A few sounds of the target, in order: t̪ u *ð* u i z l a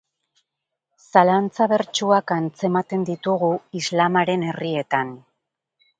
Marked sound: incorrect: ɣ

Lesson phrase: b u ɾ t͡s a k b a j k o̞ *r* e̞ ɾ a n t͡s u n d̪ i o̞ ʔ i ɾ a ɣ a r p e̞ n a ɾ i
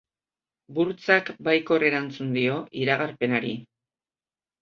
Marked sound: correct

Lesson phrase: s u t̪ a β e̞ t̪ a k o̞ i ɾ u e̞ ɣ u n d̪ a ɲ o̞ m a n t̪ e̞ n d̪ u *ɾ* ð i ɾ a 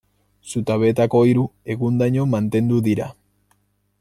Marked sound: incorrect: none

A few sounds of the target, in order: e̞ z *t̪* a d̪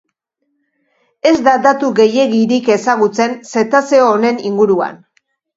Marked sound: incorrect: d̪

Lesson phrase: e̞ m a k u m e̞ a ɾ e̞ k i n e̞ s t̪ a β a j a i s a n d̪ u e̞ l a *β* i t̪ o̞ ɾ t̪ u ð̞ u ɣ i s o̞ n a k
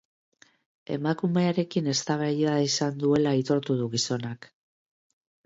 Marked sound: incorrect: none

